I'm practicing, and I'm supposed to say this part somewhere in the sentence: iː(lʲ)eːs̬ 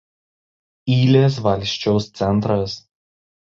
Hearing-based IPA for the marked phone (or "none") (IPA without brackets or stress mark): lʲ